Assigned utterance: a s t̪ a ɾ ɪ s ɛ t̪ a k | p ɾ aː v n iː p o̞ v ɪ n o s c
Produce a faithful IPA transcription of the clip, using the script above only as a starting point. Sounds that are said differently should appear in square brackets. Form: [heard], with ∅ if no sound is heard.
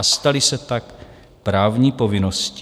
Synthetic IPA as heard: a s t̪ a [l] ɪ s ɛ t̪ a k | p ɾ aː v [ɲ] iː p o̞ v ɪ n o s c